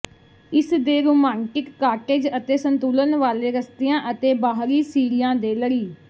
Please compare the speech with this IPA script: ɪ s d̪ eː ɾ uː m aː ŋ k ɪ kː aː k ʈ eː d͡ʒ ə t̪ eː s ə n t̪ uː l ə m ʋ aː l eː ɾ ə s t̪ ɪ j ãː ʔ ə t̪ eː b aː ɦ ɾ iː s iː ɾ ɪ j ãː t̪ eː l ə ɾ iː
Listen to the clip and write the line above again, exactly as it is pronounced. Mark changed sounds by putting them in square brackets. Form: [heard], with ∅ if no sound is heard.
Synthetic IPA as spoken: ɪ s d̪ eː ɾ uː m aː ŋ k ɪ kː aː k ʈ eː d͡ʒ ə t̪ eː s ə n t̪ uː l ə [n] ʋ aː l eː ɾ ə s t̪ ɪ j ãː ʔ ə t̪ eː b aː ɦ ɾ iː s iː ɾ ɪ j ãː [d̪] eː l ə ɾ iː

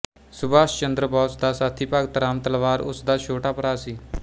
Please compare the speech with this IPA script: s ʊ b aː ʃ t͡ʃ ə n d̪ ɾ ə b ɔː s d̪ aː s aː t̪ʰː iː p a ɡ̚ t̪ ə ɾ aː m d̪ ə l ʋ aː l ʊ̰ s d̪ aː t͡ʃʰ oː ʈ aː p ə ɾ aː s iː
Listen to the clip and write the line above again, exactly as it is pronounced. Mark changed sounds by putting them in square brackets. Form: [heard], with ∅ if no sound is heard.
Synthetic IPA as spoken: s ʊ b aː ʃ t͡ʃ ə n d̪ ɾ ə b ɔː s d̪ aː s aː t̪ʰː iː p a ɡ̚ t̪ ə ɾ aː m [t̪] ə l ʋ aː [ɾ] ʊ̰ s d̪ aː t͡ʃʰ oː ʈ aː p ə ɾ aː s iː

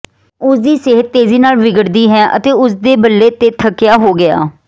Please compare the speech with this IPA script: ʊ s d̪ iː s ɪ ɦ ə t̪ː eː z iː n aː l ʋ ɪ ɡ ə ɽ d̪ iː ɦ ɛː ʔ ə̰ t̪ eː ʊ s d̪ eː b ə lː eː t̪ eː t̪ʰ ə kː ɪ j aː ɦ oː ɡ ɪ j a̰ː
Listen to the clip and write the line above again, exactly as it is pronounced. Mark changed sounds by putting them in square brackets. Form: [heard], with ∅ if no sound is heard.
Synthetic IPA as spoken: ʊ s d̪ iː s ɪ ɦ ə t̪ː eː z iː n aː l ʋ ɪ ɡ ə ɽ d̪ iː ɦ ɛː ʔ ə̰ t̪ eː ʊ s d̪ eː b ə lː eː t̪ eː t̪ʰ ə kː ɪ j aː ɦ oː ɡ ɪ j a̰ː

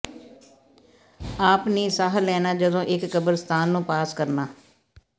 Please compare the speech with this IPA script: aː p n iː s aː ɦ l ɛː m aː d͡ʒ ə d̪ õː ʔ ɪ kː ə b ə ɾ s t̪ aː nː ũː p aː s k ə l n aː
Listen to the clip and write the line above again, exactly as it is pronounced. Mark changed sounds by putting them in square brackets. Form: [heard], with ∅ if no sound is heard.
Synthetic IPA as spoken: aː p n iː s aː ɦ l ɛː [n] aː d͡ʒ ə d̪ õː ʔ ɪ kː ə b ə ɾ s t̪ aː nː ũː p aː s k ə [ɾ] n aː

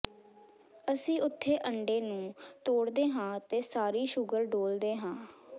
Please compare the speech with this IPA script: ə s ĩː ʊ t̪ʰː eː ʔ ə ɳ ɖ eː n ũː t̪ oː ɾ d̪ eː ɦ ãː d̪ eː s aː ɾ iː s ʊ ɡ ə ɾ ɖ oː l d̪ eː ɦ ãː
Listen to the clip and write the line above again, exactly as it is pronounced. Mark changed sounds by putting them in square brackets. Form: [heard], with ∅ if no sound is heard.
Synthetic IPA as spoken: ə s ĩː ʊ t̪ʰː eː ʔ ə ɳ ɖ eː n ũː t̪ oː [ɽ] d̪ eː ɦ ãː [t̪] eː s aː ɾ iː [ʃ] ʊ ɡ ə ɾ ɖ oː l d̪ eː ɦ ãː

